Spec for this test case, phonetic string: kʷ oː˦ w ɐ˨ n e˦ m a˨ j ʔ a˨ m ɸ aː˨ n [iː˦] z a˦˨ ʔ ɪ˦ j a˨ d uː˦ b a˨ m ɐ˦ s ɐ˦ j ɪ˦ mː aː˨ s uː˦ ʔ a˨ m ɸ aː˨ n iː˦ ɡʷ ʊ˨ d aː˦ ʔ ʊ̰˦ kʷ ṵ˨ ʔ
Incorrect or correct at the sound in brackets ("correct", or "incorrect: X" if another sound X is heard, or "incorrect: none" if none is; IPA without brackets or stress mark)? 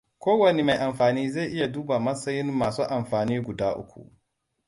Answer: correct